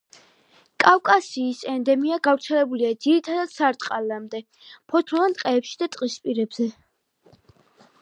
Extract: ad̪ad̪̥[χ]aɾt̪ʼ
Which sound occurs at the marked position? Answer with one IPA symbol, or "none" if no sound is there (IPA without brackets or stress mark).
s